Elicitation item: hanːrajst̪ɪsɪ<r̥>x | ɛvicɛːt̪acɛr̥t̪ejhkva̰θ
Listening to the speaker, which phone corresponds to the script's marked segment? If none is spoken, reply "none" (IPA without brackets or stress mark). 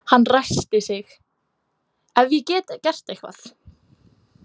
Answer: none